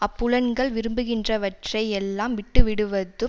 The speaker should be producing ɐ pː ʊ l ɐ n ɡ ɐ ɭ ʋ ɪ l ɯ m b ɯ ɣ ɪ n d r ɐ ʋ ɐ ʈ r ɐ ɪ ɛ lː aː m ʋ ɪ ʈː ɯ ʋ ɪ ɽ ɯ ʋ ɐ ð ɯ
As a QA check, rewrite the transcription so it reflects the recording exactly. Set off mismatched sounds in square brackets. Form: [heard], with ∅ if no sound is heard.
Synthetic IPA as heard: ɐ pː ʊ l ɐ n ɡ ɐ ɭ ʋ ɪ [ɾ] ɯ m b ɯ ɣ ɪ n d r ɐ ʋ ɐ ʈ r ɐ ɪ ɛ lː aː m ʋ ɪ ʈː ɯ ʋ ɪ ɽ ɯ ʋ ɐ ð ɯ